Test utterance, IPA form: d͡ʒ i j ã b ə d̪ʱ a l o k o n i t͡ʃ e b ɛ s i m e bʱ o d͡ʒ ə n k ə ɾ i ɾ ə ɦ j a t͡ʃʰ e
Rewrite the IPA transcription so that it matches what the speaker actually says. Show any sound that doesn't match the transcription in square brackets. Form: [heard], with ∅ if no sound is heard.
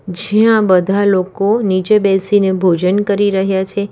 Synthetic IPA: d͡ʒ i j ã b ə d̪ʱ a l o k o n i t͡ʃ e b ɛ s i [n] e bʱ o d͡ʒ ə n k ə ɾ i ɾ ə ɦ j a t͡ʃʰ e